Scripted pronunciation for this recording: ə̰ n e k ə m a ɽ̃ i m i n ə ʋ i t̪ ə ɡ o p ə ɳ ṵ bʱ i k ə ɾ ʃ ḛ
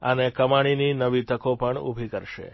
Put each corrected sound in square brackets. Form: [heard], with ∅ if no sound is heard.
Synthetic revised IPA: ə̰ n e k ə m a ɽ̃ i [n] i n ə ʋ i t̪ ə [k] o p ə ɳ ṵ bʱ i k ə ɾ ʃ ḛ